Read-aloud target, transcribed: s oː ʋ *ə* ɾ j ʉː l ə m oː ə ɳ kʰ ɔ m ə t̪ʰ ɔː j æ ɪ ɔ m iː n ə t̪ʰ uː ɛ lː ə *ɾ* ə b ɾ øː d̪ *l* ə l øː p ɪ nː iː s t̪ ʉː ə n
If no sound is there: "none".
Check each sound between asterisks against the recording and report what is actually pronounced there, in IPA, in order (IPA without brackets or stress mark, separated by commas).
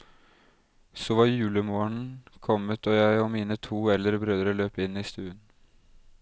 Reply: ɑ, ɾ, ɾ